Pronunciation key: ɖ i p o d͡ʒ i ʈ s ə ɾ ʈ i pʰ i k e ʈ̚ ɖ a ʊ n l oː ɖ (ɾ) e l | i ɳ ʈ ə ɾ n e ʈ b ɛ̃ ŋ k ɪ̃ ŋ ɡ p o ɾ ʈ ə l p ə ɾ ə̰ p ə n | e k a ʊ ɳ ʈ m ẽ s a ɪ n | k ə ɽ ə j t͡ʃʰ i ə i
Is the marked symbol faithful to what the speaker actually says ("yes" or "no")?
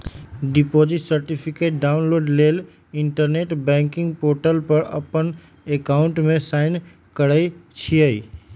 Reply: no